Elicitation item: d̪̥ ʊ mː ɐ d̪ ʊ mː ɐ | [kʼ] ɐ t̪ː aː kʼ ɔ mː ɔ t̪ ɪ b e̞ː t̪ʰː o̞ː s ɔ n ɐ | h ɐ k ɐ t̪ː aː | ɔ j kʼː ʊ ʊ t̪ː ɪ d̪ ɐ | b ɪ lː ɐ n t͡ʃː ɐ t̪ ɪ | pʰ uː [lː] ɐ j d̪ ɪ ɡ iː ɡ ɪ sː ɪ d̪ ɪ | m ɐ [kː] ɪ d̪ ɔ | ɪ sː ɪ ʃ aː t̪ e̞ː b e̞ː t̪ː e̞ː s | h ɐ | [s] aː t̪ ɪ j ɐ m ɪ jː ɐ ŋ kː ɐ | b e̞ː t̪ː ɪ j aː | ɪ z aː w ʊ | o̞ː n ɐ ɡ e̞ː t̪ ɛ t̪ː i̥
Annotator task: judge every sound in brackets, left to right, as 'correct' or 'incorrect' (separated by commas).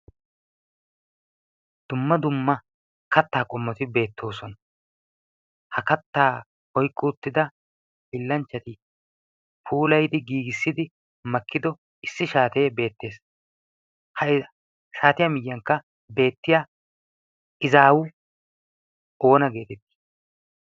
incorrect, incorrect, correct, incorrect